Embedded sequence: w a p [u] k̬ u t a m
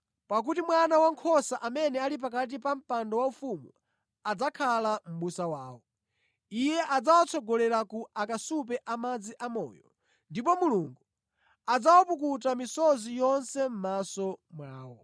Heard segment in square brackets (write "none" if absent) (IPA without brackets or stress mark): u